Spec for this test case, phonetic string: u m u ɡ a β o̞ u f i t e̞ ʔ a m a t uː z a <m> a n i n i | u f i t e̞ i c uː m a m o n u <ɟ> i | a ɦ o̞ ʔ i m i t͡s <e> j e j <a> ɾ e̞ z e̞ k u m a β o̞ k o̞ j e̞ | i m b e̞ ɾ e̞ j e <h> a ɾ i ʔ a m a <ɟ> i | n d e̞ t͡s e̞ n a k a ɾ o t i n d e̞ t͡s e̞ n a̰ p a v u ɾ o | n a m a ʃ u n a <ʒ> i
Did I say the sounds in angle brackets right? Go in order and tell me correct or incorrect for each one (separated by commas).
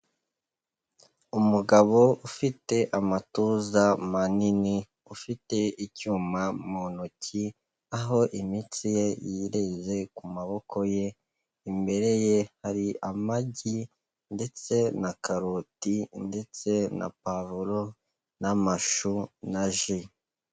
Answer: correct, incorrect, incorrect, incorrect, correct, correct, correct